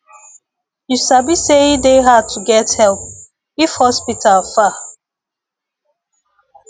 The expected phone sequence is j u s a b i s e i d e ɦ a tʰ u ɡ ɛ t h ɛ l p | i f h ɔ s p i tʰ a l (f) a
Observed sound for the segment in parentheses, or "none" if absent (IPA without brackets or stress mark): f